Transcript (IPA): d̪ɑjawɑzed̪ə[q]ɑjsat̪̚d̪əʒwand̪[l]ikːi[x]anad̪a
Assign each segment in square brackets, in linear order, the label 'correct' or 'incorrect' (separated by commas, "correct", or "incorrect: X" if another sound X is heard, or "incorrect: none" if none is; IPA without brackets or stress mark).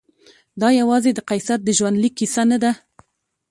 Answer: correct, correct, incorrect: s